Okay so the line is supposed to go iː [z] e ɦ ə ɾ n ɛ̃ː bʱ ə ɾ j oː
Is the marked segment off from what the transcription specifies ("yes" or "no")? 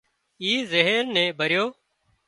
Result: no